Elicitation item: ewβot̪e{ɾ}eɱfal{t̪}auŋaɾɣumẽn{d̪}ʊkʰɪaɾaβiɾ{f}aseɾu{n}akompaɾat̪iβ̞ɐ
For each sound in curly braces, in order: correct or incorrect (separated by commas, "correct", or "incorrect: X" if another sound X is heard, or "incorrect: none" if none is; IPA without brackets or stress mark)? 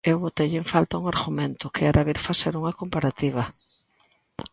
incorrect: ʎ, correct, incorrect: t̪, correct, incorrect: ŋ